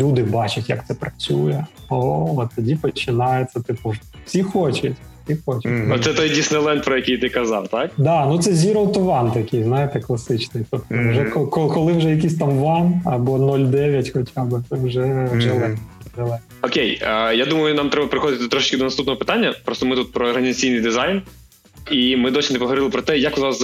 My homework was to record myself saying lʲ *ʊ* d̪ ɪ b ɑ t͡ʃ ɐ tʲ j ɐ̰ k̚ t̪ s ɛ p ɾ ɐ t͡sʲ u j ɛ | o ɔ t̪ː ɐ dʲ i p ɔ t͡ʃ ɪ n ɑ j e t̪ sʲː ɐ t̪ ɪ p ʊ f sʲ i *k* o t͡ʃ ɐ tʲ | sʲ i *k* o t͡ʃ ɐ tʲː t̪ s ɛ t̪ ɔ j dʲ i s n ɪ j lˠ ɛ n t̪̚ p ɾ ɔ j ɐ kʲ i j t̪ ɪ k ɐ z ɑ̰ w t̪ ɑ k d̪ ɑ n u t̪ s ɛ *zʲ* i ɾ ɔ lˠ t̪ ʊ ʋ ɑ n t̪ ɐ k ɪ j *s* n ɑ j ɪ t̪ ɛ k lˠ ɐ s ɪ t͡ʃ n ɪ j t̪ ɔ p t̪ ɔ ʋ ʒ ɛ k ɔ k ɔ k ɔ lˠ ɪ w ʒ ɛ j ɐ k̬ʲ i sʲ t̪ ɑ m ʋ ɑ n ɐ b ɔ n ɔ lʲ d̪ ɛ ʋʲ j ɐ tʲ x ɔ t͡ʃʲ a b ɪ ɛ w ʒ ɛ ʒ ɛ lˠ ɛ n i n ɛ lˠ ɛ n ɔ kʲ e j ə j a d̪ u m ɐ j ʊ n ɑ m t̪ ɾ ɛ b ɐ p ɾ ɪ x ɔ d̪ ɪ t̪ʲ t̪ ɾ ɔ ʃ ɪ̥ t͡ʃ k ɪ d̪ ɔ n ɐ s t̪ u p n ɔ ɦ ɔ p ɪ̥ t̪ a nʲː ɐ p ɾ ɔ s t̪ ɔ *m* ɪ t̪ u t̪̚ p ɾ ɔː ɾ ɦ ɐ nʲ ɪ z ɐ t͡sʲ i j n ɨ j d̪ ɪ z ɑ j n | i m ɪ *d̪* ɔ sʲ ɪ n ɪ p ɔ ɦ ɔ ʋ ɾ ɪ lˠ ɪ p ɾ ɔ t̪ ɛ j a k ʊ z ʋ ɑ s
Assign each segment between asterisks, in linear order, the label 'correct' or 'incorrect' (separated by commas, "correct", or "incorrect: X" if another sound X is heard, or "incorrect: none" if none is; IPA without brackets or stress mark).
incorrect: u, incorrect: x, incorrect: x, correct, incorrect: z, correct, correct